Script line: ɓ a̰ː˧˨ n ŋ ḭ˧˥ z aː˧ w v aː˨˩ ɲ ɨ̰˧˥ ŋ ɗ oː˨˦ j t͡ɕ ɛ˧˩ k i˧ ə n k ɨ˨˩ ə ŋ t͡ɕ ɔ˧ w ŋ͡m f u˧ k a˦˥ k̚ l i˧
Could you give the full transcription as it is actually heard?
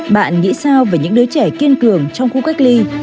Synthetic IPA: ɓ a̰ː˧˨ n ŋ ḭ˧˥ s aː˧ w v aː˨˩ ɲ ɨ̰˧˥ ŋ ɗ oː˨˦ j t͡ɕ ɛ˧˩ k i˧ ə n k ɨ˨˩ ə ŋ t͡ɕ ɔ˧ w ŋ͡m x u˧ k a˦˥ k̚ l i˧